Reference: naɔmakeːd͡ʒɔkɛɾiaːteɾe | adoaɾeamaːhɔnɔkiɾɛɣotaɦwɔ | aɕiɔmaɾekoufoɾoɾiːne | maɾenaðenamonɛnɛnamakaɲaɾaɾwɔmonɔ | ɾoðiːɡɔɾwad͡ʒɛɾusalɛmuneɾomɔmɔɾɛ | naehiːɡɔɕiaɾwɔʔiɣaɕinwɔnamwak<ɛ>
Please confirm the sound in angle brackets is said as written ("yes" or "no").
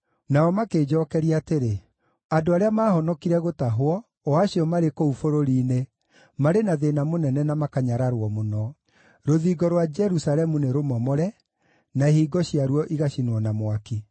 no